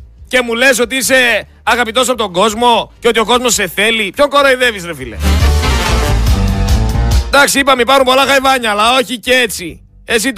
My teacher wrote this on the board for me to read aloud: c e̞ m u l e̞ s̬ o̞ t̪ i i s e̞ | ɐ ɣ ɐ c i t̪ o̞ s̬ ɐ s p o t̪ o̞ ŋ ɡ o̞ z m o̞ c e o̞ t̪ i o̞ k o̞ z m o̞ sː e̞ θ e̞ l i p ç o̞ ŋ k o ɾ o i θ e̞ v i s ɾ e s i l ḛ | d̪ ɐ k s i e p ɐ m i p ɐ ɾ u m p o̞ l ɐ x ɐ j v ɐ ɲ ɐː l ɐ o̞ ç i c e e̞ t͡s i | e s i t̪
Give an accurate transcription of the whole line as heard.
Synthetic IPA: c e̞ m u l e̞ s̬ o̞ t̪ i i s e̞ | ɐ ɣ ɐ p i t̪ o̞ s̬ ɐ p o t̪ o̞ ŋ ɡ o̞ z m o̞ c e o̞ t̪ i o̞ k o̞ z m o̞ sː e̞ θ e̞ l i p ç o̞ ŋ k o ɾ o i ð e̞ v i s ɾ e f i l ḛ | d̪ ɐ k s i i p ɐ m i p ɐ ɾ u m p o̞ l ɐ x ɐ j v ɐ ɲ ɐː l ɐ o̞ ç i c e e̞ t͡s i | e s i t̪